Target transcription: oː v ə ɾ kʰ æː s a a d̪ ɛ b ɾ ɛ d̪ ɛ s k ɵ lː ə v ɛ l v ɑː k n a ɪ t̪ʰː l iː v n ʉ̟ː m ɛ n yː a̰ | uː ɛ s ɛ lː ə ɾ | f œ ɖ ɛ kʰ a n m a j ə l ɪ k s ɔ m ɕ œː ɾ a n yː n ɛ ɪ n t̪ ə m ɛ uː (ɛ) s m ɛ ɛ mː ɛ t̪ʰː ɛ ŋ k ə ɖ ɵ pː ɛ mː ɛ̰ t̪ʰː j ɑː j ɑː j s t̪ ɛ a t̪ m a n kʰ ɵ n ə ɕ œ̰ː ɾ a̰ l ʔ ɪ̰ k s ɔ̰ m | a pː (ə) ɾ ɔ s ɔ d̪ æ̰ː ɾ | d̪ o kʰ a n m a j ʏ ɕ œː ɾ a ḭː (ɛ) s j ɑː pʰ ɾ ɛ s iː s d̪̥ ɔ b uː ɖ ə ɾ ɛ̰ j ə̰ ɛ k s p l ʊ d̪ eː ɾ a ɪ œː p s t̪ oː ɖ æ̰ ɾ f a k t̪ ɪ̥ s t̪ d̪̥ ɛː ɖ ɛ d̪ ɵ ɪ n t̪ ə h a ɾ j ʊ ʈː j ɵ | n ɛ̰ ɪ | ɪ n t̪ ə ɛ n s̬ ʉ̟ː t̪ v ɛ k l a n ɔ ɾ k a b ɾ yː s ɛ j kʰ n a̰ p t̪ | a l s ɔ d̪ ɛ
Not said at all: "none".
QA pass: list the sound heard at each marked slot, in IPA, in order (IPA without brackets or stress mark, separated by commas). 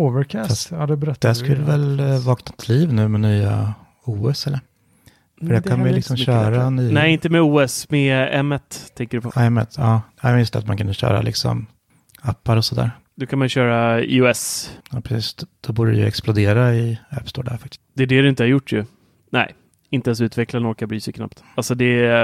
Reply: ɛ, a, ɛ